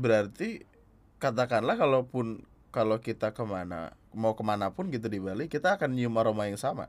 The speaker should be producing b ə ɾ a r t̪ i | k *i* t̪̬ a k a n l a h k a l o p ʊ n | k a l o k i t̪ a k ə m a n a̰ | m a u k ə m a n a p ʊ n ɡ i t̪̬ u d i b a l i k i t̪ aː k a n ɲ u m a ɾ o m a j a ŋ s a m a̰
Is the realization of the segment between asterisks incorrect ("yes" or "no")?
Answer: yes